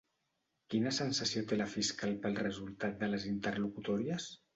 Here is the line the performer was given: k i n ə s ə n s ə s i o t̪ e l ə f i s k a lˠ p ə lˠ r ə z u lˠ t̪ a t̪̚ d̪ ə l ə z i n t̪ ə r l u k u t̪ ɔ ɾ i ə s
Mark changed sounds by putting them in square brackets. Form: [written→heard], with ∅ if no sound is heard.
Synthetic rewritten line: k i n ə s ə n s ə s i o t̪ e l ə f i s k a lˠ p ə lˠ r ə z u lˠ t̪ a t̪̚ d̪ ə l ə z i n t̪ ə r l u k u t̪ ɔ ɾ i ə s